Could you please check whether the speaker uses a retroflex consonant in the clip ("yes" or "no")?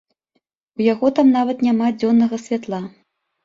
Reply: no